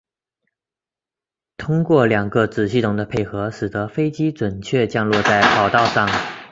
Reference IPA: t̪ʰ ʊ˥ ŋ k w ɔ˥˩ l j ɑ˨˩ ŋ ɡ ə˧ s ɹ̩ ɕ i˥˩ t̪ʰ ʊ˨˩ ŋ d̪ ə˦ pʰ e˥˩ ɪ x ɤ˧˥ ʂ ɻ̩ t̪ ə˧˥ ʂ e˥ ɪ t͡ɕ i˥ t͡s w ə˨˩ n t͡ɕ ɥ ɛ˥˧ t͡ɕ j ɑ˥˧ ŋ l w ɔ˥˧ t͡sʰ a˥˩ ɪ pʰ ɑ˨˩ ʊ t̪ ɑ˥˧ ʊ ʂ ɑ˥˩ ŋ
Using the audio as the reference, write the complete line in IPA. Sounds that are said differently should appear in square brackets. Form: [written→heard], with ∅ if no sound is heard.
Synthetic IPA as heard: t̪ʰ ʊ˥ ŋ k w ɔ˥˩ l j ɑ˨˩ ŋ ɡ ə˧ [s→t͡s] ɹ̩ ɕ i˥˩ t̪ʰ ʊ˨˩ ŋ d̪ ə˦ pʰ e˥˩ ɪ x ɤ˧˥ ʂ ɻ̩ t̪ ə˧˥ [ʂ→f] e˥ ɪ t͡ɕ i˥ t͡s w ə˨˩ n [t͡ɕ→t͡ɕʰ] ɥ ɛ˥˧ t͡ɕ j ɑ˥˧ ŋ l w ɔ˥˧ [t͡sʰ→t͡s] a˥˩ ɪ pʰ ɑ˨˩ ʊ t̪ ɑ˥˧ ʊ ʂ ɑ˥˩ ŋ